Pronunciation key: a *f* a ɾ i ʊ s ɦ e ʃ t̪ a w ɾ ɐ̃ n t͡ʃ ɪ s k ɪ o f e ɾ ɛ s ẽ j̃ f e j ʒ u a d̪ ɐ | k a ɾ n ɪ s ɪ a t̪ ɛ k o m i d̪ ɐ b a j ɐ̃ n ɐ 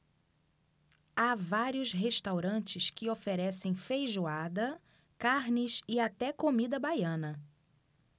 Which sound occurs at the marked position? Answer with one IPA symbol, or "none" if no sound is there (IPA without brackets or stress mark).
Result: v